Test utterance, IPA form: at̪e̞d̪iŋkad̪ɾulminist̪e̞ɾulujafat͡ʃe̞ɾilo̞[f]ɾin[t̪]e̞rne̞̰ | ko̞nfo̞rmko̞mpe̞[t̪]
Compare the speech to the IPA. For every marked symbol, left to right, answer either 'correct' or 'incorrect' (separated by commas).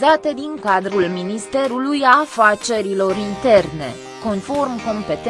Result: incorrect, correct, correct